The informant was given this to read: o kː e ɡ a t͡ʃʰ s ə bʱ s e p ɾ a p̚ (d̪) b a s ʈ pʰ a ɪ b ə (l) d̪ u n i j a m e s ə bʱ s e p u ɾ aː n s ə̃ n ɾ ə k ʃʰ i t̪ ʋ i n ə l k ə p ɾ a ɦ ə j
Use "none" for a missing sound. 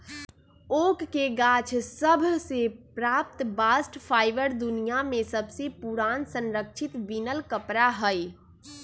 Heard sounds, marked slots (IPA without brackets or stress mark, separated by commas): t̪, ɾ